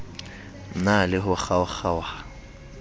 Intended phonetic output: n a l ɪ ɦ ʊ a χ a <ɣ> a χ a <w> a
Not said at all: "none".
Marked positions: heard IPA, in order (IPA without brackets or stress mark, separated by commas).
w, w